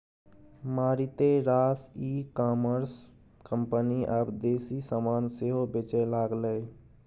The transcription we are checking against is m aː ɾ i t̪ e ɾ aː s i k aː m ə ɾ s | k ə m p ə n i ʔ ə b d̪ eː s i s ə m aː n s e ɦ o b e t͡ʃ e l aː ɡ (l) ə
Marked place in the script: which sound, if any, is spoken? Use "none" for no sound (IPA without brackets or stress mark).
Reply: l